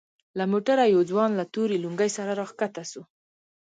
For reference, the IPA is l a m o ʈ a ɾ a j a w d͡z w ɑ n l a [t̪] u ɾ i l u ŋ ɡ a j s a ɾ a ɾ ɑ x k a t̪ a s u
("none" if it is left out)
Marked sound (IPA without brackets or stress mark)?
t̪